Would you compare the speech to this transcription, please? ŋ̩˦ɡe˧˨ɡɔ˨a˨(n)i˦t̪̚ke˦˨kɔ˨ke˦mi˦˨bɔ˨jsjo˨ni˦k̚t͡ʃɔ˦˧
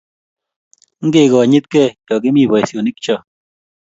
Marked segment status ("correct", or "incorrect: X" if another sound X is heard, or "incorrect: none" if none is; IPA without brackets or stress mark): incorrect: ɲ